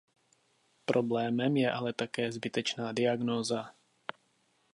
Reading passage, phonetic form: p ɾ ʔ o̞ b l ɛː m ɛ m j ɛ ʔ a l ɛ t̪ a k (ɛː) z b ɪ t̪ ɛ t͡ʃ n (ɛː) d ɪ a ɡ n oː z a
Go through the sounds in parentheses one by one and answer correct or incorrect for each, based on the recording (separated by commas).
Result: correct, incorrect